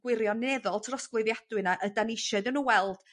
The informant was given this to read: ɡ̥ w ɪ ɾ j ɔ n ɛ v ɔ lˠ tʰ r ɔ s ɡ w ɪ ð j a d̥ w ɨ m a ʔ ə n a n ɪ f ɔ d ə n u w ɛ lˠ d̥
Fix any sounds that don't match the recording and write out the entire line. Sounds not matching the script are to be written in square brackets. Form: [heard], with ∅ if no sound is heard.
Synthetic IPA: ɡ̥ w ɪ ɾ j ɔ n ɛ [ð] ɔ lˠ tʰ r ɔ s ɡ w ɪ ð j a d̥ w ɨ [n] a ʔ ə [d] a n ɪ [ʃ] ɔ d ə n u w ɛ lˠ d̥